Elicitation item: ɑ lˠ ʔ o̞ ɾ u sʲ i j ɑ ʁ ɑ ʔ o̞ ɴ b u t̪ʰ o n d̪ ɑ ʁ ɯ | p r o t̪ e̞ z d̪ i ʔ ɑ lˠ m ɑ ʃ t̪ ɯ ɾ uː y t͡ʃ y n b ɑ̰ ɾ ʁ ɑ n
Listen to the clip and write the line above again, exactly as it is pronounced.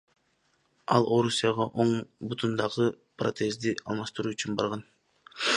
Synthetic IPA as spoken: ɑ lˠ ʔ o̞ ɾ u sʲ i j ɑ ʁ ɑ ʔ o̞ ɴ b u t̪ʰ u n d̪ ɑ ʁ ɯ | p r o t̪ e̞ z d̪ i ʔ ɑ lˠ m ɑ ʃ t̪ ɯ ɾ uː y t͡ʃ y n b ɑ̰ ɾ ʁ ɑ n